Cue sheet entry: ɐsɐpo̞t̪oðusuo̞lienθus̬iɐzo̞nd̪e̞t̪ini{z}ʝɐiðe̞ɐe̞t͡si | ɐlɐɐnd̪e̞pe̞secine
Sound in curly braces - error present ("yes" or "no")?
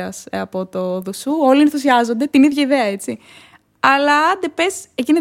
yes